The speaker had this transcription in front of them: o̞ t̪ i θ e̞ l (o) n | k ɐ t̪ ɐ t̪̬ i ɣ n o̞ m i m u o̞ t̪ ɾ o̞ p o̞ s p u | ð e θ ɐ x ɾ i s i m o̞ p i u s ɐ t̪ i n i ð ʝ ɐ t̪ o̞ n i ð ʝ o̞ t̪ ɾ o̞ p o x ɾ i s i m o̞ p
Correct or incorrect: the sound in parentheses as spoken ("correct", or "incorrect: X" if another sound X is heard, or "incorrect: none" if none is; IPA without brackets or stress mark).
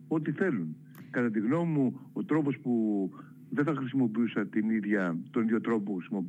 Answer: incorrect: u